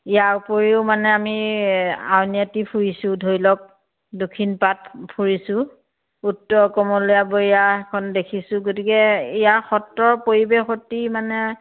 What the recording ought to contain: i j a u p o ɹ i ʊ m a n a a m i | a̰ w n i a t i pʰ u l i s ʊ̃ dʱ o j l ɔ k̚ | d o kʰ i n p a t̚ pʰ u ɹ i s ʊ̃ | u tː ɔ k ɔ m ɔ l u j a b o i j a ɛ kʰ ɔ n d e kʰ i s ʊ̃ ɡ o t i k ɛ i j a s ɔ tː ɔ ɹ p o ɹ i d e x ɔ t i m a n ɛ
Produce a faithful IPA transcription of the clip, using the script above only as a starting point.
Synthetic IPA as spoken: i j a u p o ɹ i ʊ m a n ɛ a m i | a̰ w n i a t i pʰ u ɹ i s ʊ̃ dʱ o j l ɔ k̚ | d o kʰ i n p a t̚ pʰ u ɹ i s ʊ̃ | u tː ɔ k ɔ m ɔ l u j a b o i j a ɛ kʰ ɔ n d e kʰ i s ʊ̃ ɡ o t i k ɛ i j a x ɔ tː ɔ ɹ p o ɹ i b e x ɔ t i m a n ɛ